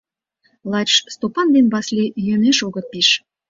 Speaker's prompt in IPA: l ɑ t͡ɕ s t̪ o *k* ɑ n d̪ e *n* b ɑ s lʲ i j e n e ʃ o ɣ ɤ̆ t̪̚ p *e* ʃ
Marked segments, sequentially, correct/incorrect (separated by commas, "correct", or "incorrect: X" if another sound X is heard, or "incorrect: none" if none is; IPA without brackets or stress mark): incorrect: p, correct, incorrect: i